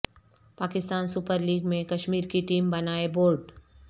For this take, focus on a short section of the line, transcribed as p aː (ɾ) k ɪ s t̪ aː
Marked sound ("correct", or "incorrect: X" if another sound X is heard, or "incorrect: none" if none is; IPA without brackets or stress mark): incorrect: none